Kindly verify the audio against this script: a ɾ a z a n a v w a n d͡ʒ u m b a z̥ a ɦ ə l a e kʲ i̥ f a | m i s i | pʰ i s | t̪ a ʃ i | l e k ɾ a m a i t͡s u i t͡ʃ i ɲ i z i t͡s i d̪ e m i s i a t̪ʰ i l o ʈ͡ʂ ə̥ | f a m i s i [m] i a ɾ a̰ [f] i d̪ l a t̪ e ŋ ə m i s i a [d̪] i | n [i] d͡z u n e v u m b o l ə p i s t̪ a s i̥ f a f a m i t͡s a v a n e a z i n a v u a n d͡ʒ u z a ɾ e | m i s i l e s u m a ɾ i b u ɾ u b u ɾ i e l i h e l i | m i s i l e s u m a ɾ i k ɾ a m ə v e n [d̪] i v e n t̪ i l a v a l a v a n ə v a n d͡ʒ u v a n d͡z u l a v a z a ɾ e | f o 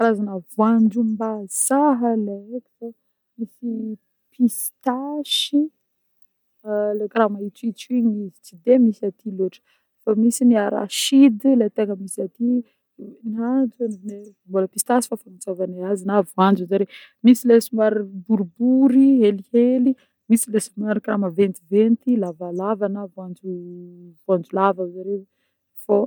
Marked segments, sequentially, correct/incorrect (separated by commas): incorrect, incorrect, incorrect, incorrect, incorrect